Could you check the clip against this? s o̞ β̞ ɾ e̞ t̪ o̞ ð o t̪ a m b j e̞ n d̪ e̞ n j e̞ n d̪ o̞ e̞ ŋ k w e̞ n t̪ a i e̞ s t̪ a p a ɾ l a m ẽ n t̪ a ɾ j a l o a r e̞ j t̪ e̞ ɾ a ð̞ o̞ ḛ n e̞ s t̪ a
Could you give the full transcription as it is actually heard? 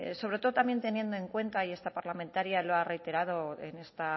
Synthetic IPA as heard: s o̞ β̞ ɾ e̞ t̪ o̞ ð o t̪ a m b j e̞ n t̪ e̞ n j e̞ n d̪ o̞ e̞ ŋ k w e̞ n t̪ a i e̞ s t̪ a p a ɾ l a m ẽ n t̪ a ɾ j a l o a r e̞ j t̪ e̞ ɾ a ð̞ o̞ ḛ n e̞ s t̪ a